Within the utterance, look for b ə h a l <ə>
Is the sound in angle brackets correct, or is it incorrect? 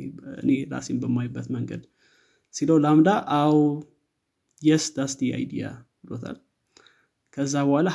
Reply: incorrect